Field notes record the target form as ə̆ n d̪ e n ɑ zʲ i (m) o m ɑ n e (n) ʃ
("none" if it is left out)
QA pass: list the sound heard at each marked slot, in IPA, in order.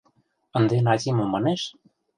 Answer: m, none

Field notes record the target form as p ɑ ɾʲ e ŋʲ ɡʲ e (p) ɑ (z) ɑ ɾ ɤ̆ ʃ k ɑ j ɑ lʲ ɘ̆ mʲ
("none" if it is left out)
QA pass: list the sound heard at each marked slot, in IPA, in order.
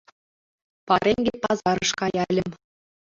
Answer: p, z

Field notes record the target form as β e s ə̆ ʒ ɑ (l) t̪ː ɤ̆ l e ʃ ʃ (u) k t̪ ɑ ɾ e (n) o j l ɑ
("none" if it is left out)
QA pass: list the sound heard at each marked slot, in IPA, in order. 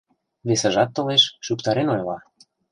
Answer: none, u, n

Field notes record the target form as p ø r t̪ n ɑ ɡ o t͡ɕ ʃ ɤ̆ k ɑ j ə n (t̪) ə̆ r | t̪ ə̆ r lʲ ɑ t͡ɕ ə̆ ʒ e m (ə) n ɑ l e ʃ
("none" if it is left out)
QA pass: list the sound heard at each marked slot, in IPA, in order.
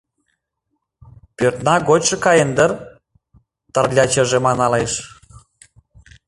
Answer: d̪, ɑ

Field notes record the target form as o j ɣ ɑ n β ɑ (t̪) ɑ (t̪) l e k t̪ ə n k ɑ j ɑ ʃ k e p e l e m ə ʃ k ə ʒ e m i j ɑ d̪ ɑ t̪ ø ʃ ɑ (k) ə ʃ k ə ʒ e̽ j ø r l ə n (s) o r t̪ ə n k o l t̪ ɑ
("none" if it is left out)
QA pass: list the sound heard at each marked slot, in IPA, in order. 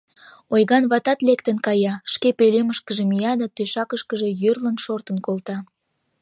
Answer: t̪, t̪, k, ʃ

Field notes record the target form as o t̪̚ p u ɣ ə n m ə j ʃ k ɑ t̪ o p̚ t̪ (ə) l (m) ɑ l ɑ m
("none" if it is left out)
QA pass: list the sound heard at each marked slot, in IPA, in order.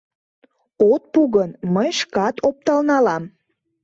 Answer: ɑ, n

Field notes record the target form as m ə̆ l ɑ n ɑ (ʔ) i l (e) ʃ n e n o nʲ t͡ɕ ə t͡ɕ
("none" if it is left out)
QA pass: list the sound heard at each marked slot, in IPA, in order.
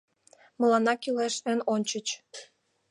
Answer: k, e

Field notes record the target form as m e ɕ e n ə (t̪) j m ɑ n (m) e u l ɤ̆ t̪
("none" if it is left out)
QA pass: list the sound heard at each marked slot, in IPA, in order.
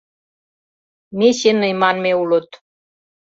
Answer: none, m

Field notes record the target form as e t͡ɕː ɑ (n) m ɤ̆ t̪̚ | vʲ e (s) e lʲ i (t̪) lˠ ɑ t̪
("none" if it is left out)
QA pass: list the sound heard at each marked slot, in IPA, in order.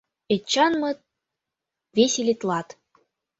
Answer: n, s, t̪

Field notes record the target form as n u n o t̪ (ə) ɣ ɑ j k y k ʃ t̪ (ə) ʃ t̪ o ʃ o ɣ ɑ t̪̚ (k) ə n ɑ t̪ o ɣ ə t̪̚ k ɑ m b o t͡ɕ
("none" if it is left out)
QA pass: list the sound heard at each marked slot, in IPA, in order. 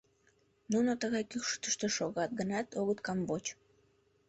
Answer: ə, ə, ɡ

